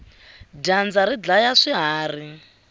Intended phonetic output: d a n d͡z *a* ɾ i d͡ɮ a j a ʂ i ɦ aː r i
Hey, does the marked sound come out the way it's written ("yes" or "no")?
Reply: yes